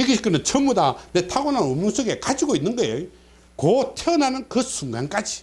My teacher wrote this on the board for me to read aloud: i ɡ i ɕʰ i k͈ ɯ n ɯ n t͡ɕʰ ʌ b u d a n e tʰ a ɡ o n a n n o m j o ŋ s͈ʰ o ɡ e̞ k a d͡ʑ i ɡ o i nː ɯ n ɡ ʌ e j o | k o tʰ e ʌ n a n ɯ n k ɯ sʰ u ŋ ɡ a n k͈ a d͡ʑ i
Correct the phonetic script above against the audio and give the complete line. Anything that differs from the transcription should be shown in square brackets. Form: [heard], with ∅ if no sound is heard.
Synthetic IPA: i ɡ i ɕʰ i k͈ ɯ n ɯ n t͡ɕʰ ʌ [m] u d a n e tʰ a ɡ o n a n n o m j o ŋ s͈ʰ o ɡ e̞ k a d͡ʑ i ɡ o i nː ɯ n ɡ ʌ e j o | k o tʰ e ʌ n a n ɯ n k ɯ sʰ u ŋ ɡ a n k͈ a d͡ʑ i